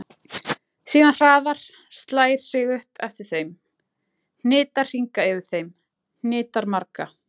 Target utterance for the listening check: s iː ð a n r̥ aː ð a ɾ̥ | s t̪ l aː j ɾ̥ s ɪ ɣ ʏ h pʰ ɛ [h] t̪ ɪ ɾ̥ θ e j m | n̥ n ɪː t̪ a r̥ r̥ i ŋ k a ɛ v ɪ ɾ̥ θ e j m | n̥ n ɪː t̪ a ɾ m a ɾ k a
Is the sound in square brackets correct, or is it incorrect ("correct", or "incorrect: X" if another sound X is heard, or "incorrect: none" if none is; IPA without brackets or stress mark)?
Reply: incorrect: f